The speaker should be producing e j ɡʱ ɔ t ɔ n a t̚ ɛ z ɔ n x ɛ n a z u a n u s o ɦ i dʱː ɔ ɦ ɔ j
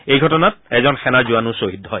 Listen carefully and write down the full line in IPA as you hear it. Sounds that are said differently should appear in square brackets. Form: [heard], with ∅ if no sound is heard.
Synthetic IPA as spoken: e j ɡʱ ɔ t ɔ n a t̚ ɛ z ɔ n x ɛ n a z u a n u s o ɦ i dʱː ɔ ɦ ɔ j